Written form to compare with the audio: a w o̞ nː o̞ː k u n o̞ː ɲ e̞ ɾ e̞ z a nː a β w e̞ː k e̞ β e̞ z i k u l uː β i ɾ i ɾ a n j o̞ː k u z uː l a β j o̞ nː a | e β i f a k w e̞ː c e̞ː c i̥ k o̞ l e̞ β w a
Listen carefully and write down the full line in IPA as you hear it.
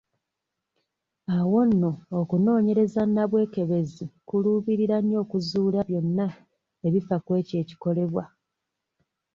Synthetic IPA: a w o̞ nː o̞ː k u n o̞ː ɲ e̞ ɾ e̞ z a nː a β w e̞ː k e̞ β e̞ z i k u l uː β i ɾ i ɾ a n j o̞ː k u z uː l a β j o̞ nː a | e β i f a k w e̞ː c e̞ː c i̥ k o̞ l e̞ β w a